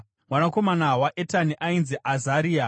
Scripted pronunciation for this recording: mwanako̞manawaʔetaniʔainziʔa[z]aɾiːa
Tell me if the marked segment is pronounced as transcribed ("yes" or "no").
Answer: yes